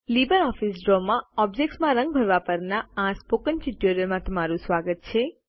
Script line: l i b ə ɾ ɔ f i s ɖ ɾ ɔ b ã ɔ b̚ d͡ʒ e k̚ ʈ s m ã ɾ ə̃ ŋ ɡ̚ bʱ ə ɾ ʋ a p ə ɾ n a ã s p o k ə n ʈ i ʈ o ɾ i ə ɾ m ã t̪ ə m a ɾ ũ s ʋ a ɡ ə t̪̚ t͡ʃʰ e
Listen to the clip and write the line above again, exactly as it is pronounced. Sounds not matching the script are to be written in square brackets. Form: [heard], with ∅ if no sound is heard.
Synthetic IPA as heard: l i b ə ɾ ɔ f i s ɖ ɾ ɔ [m] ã ɔ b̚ d͡ʒ e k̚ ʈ s m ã ɾ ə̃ ŋ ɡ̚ bʱ ə ɾ ʋ a p ə ɾ n a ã s p o k ə n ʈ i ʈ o ɾ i ə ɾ m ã t̪ ə m a ɾ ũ s ʋ a ɡ ə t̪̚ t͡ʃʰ e